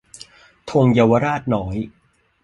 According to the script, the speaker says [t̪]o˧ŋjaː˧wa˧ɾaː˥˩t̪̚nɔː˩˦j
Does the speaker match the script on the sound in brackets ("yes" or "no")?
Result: no